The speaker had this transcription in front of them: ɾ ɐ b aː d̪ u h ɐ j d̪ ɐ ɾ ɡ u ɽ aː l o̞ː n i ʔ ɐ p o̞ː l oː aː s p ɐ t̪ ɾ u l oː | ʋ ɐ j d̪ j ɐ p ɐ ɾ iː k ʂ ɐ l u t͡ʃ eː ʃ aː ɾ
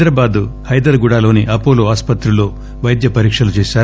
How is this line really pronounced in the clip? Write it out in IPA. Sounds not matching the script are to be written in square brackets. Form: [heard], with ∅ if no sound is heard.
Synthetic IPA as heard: ɾ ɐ b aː d̪ u h ɐ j d̪ ɐ ɾ ɡ u ɽ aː l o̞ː n i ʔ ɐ p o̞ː l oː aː s p ɐ t̪ ɾ u l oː | ʋ ɐ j d̪ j ɐ p ɐ ɾ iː k ʂ ɐ l u t͡ʃ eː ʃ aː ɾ

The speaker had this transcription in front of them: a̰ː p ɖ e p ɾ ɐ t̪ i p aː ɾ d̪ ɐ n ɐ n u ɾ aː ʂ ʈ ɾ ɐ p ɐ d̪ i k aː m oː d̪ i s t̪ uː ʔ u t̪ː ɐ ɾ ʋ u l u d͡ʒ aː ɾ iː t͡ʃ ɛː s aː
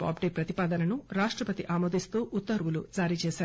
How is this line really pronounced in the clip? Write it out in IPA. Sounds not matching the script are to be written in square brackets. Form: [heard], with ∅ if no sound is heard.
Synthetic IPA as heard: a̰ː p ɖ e p ɾ ɐ t̪ i p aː [∅] d̪ ɐ n ɐ n u ɾ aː ʂ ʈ ɾ ɐ p ɐ [t̪] i [ʔ] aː m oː d̪ i s t̪ uː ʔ u t̪ː ɐ ɾ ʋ u l u d͡ʒ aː ɾ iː t͡ʃ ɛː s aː

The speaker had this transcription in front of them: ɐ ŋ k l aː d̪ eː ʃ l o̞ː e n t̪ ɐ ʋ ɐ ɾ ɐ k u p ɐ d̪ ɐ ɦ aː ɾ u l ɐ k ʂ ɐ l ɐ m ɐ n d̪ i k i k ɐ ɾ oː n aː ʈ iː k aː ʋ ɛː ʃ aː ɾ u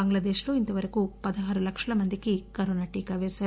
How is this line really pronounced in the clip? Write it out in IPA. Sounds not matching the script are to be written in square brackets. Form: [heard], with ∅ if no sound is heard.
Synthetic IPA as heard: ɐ ŋ [ɡ] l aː d̪ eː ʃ l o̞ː [i] n t̪ ɐ ʋ ɐ ɾ ɐ k u p ɐ d̪ ɐ ɦ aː ɾ u l ɐ k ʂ ɐ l ɐ m ɐ n d̪ i k i k ɐ ɾ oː n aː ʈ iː k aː ʋ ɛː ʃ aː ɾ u

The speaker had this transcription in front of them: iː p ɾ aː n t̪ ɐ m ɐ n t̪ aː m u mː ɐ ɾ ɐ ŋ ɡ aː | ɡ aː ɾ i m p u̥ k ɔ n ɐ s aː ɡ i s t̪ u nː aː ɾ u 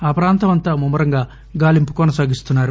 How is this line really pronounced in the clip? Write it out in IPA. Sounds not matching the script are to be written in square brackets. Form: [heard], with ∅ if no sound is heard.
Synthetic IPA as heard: [aː] p ɾ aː n t̪ ɐ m ɐ n t̪ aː m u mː ɐ ɾ ɐ ŋ ɡ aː | ɡ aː [l] i m p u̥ k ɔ n ɐ s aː ɡ i s t̪ u nː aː ɾ u

